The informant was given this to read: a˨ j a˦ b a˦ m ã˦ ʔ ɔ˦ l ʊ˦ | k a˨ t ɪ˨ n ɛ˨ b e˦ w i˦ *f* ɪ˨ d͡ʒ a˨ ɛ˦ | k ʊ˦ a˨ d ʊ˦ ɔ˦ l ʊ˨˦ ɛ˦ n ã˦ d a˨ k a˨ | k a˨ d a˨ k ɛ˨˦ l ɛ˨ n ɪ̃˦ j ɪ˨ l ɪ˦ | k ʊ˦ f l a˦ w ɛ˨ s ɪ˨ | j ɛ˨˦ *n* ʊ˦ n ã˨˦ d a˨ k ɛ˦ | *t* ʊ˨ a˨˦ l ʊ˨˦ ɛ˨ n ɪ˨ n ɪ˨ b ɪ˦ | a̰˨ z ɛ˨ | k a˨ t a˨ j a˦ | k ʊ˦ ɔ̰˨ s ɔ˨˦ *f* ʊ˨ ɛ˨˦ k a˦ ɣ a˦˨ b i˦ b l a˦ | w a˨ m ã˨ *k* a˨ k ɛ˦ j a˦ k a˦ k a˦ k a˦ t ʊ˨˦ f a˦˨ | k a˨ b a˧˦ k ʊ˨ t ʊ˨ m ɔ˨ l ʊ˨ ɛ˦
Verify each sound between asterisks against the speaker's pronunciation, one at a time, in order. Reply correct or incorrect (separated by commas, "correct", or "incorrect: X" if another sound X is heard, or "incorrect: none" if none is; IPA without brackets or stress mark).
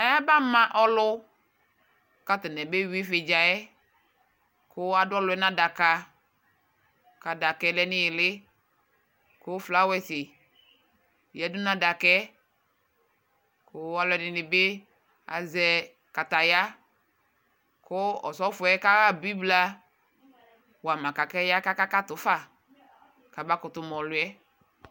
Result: correct, incorrect: d, incorrect: k, correct, correct